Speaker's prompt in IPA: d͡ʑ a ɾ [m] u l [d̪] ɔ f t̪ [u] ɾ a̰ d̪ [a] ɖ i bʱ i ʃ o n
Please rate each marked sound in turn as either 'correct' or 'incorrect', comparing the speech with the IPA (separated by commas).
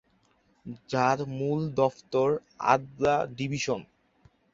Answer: correct, correct, incorrect, correct